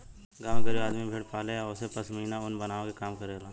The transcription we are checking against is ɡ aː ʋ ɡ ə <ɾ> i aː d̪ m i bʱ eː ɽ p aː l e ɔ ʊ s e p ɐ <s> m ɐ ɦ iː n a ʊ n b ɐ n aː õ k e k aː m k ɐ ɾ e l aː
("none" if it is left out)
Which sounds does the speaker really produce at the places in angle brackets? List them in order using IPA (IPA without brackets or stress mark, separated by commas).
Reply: ɾ, s